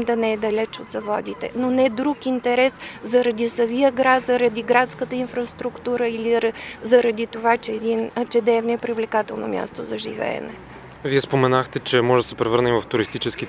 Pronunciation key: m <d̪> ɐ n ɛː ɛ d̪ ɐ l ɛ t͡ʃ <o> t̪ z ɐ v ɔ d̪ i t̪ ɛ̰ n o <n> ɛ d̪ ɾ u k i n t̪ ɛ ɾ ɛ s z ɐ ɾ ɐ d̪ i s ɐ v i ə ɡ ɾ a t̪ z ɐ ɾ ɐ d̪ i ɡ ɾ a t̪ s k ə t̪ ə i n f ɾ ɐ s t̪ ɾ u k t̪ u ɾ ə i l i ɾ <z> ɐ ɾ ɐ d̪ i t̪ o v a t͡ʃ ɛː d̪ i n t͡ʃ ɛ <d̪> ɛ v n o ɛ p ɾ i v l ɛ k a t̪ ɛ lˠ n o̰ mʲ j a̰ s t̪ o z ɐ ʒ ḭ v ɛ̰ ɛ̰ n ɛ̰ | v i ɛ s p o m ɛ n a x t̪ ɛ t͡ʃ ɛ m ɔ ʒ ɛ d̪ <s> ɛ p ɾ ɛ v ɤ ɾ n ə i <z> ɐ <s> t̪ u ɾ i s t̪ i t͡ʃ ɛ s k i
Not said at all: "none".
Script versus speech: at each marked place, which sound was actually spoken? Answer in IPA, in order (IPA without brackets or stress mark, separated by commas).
d̪, o, n, z, d̪, s, v, f